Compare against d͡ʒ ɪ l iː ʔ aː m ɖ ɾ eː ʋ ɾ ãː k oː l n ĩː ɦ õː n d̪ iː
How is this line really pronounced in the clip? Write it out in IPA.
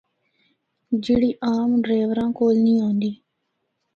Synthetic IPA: d͡ʒ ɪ ɽ iː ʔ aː m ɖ ɾ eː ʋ ɾ ãː k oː l n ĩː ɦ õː n d̪ iː